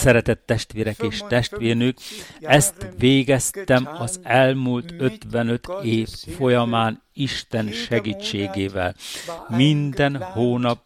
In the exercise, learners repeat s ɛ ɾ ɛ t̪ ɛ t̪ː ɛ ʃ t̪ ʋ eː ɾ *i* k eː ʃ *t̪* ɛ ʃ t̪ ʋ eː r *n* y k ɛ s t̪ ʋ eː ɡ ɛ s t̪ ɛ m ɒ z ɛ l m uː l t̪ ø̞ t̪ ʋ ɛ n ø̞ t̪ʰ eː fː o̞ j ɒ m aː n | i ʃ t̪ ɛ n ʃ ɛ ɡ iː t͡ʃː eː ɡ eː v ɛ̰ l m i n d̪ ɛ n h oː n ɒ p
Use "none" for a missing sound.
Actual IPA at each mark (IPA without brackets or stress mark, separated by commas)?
ɛ, t̪, n